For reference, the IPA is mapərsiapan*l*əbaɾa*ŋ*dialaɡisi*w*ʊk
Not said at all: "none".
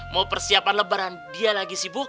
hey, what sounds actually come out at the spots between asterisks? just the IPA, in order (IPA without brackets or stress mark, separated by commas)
l, n, b